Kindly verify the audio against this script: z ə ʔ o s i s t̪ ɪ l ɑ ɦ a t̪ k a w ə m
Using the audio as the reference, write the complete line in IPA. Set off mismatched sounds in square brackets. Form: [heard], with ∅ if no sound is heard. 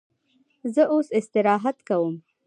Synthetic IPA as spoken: z ə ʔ o s [ɪ] s t̪ ɪ [ɾ] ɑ ɦ a t̪ k a w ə m